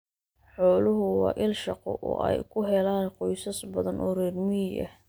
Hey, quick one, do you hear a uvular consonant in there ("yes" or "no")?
yes